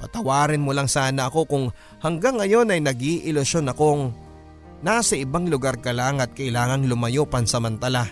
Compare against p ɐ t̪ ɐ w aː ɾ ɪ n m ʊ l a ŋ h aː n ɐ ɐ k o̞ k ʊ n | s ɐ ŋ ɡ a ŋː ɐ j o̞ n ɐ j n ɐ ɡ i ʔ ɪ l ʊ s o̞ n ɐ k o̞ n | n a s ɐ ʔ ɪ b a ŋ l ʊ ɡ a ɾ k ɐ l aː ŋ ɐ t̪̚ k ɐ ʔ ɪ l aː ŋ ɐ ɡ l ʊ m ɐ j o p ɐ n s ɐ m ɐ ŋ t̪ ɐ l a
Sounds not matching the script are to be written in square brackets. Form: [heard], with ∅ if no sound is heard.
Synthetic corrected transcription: p ɐ t̪ ɐ w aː ɾ ɪ n m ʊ l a ŋ [s] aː n ɐ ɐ k o̞ k ʊ [ŋ] | [h] ɐ ŋ ɡ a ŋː ɐ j o̞ n ɐ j n ɐ ɡ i ʔ ɪ l ʊ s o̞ n ɐ k o̞ [ŋ] | n a s ɐ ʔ ɪ b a ŋ l ʊ ɡ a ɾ k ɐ l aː ŋ ɐ t̪̚ k ɐ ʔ ɪ l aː ŋ ɐ [ŋ] l ʊ m ɐ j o p ɐ n s ɐ m ɐ [n] t̪ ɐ l a